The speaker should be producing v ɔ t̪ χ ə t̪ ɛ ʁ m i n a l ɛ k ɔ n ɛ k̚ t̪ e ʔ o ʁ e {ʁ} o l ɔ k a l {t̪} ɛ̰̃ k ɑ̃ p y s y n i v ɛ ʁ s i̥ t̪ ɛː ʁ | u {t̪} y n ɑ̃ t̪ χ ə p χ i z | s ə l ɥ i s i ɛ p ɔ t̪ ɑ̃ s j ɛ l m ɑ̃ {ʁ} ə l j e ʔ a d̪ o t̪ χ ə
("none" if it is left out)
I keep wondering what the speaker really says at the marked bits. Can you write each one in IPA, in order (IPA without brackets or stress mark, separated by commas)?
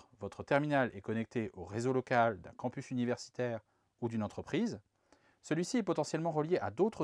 z, d̪, d̪, ʁ